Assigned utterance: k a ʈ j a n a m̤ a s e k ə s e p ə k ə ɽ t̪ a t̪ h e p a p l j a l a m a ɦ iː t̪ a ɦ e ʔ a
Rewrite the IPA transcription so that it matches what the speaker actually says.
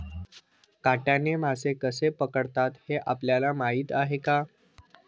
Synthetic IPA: k a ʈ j a n e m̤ a s e k ə s e p ə k ə ɽ t̪ a t̪ h e ʔ a p l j a l a m a ɦ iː t̪ a ɦ e k a